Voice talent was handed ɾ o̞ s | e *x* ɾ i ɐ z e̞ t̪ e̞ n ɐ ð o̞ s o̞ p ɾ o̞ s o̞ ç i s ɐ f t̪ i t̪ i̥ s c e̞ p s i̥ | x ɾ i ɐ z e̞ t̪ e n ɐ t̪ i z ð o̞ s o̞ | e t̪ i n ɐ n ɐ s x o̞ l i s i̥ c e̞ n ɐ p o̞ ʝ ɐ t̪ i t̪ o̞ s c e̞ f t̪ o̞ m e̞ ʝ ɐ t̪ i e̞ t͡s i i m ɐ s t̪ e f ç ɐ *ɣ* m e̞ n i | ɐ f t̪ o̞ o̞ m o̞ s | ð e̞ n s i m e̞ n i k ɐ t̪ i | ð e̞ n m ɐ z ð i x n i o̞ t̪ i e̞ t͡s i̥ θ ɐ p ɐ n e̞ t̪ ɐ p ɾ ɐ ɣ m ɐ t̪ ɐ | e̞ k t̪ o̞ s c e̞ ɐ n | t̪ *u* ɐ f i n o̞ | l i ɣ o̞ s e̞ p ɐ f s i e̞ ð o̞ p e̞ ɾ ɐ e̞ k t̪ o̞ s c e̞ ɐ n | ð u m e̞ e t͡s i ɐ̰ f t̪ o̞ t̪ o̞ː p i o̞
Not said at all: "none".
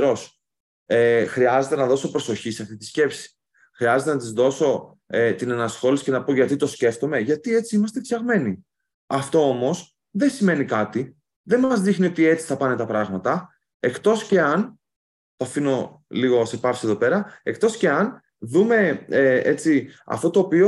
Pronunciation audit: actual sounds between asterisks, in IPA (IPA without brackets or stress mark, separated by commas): x, ɣ, o